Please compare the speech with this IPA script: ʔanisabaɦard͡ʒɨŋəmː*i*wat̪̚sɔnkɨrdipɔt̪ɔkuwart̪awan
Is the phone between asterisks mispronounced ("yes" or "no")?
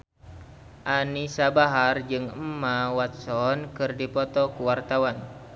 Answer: yes